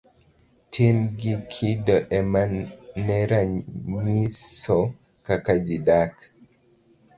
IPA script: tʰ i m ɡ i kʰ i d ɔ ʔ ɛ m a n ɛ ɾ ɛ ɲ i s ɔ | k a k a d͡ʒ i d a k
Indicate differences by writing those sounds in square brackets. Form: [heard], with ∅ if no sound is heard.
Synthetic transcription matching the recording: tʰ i m ɡ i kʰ i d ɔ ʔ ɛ m a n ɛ ɾ [a] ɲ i s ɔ | k a k a d͡ʒ i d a k